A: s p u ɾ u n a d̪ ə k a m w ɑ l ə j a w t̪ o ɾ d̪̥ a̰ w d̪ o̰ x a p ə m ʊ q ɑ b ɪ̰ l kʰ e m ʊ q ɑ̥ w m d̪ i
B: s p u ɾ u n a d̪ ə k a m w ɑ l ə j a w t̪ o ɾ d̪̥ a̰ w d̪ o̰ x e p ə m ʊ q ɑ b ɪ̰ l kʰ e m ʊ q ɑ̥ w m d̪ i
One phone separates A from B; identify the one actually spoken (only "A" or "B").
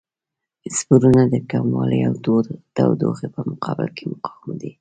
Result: B